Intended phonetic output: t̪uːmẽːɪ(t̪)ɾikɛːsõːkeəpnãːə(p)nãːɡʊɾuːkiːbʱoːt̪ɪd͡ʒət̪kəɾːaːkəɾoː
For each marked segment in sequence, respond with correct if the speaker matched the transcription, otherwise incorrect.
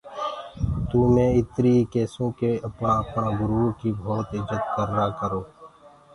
correct, correct

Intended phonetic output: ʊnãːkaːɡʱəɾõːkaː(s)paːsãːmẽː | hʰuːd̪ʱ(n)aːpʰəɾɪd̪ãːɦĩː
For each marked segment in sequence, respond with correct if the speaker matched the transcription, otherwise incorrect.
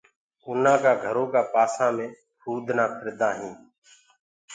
incorrect: none, correct

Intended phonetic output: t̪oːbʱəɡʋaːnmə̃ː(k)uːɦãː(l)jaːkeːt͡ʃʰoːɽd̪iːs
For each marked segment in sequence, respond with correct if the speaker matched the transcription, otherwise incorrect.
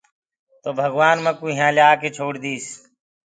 correct, correct

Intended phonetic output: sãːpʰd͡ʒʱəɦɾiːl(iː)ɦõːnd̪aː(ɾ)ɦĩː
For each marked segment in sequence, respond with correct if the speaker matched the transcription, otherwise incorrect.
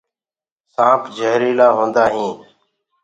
incorrect: aː, incorrect: none

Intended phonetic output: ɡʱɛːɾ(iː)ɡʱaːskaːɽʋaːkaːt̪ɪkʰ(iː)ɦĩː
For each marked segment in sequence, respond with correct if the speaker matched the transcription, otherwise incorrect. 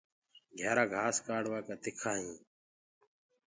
incorrect: aː, incorrect: aː

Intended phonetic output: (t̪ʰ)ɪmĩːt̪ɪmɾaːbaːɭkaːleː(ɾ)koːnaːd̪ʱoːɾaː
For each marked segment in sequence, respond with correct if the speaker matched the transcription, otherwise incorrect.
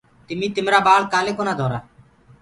incorrect: t̪, incorrect: none

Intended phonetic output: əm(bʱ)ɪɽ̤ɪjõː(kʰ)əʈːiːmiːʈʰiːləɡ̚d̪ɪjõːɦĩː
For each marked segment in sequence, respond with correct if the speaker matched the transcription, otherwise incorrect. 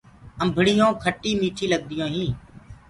correct, correct

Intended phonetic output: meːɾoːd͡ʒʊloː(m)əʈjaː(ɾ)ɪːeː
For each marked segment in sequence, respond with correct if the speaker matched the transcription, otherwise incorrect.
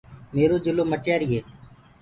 correct, correct

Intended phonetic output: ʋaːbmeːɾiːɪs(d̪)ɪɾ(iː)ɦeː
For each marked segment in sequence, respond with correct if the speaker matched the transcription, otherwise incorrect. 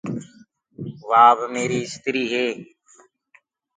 incorrect: t̪, correct

